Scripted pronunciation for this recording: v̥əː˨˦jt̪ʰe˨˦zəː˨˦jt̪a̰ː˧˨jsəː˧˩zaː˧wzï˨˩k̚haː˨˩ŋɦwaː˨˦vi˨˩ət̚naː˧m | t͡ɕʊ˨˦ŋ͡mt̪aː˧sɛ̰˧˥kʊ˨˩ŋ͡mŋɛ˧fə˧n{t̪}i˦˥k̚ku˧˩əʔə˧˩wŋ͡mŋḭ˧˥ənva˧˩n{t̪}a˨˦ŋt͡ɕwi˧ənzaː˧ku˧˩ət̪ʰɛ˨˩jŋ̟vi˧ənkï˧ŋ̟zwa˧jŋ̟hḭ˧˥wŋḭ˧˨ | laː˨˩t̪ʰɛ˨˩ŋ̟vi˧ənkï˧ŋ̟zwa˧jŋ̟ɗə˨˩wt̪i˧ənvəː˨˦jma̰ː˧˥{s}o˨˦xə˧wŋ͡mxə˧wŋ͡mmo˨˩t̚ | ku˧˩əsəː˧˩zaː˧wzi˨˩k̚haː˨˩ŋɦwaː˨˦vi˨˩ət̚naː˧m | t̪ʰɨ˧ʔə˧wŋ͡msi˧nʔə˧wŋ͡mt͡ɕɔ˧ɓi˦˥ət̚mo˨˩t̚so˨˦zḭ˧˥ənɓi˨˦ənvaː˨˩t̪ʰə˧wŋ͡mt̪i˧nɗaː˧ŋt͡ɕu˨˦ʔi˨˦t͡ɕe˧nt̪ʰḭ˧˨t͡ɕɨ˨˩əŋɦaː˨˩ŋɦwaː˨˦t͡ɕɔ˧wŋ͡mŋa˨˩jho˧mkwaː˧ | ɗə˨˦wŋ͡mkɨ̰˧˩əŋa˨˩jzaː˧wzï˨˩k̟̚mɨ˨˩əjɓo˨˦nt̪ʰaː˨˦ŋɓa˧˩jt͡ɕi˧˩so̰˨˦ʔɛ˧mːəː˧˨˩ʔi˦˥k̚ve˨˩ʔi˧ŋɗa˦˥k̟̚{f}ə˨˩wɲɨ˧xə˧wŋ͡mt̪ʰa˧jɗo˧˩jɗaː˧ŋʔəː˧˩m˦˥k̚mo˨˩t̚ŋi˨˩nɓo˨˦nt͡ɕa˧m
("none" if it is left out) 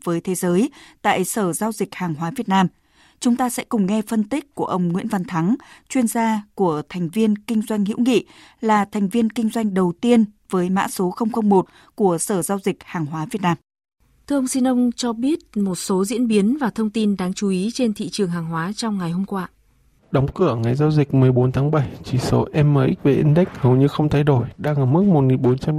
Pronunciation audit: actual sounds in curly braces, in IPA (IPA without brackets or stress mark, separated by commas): t̪, t̪ʰ, s, h